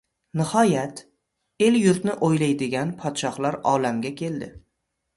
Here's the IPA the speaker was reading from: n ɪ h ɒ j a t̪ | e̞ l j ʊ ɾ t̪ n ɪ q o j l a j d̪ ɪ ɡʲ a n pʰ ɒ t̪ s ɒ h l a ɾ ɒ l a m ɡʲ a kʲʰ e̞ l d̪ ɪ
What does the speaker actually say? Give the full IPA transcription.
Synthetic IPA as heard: n ɪ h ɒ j a t̪ | e̞ l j ʊ ɾ t̪ n ɪ ʔ o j l a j d̪ ɪ ɡʲ a n pʰ ɒ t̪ ʃ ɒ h l a ɾ ɒ l a m ɡʲ a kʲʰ e̞ l d̪ ɪ